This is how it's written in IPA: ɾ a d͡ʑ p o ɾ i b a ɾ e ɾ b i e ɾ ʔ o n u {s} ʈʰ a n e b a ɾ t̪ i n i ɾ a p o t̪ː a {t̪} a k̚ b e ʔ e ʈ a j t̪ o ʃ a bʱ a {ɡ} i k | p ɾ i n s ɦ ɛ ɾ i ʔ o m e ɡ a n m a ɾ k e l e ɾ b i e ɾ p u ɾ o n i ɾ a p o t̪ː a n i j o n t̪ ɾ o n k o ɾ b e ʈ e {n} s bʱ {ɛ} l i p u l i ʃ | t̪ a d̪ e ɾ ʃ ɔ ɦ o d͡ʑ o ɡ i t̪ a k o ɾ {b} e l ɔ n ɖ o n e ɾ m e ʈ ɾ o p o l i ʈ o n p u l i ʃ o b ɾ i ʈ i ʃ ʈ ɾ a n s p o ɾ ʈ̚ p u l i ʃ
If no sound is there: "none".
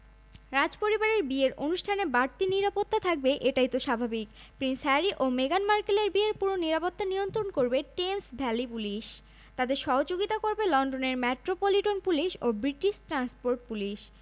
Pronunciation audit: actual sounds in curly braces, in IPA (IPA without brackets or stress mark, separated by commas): ʃ, t̪ʰ, b, m, ɛ, b